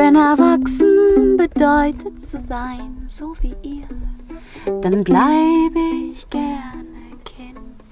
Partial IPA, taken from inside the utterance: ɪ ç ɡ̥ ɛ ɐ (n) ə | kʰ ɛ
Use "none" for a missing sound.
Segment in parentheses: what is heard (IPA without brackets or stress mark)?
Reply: n